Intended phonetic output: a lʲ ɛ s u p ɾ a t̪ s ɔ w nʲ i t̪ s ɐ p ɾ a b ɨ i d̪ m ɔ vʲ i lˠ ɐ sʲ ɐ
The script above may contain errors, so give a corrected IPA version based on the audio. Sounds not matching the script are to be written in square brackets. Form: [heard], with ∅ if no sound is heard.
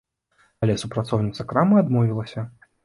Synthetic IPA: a lʲ ɛ s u p ɾ a t̪ s ɔ w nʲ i t̪ s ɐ [k] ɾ a [m] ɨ [a] d̪ m ɔ vʲ i lˠ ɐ sʲ ɐ